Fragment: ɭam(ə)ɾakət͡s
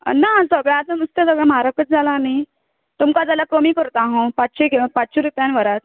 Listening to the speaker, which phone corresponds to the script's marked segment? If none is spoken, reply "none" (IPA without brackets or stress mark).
a